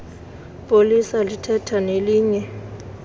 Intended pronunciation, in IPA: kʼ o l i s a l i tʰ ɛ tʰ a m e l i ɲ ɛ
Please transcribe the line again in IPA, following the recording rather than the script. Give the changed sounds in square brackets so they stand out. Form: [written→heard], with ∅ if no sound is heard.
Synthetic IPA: [kʼ→pʼ] o l i s a l i tʰ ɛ tʰ a [m→n] e l [i→iː] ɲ ɛ